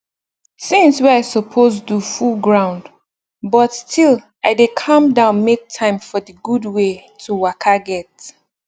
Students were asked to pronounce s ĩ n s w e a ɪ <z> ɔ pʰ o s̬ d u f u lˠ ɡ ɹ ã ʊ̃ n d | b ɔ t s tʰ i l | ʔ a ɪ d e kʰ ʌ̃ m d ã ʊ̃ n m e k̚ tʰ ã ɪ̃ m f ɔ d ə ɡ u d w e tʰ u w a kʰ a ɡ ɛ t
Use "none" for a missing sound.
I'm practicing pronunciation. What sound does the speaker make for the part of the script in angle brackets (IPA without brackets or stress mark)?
s